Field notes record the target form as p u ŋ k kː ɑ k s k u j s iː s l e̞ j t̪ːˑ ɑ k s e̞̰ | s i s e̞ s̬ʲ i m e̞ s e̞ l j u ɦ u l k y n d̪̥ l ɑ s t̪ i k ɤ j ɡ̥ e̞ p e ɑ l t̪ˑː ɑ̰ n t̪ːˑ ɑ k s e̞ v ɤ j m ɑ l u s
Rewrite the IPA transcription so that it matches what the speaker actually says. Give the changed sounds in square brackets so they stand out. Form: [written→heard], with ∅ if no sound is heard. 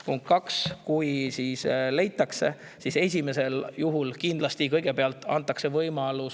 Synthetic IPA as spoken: p u ŋ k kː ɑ k s k u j s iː s l e̞ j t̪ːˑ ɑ k s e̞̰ | s i s e̞ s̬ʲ i m e̞ s e̞ l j u ɦ u l k [y→i] n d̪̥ l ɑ s t̪ i k ɤ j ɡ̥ e̞ p e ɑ l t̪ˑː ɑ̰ n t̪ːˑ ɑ k s e̞ v ɤ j m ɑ l u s